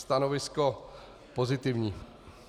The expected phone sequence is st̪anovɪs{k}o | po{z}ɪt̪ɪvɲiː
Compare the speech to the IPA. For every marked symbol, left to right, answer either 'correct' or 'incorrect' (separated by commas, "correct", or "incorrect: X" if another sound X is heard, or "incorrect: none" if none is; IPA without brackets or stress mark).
correct, correct